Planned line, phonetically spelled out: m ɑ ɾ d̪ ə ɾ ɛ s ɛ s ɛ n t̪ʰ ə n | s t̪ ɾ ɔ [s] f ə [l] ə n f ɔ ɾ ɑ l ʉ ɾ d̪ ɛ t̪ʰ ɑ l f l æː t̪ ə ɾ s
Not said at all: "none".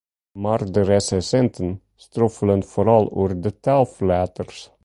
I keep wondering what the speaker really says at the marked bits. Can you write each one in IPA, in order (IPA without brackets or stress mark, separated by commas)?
none, l